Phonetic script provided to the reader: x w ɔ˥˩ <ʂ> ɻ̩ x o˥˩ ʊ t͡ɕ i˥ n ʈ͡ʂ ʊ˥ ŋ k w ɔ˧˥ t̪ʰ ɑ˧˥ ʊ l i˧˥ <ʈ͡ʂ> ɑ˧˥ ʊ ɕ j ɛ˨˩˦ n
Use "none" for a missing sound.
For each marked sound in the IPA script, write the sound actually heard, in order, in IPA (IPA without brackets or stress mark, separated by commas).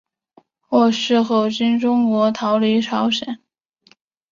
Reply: ʂ, ʈ͡ʂʰ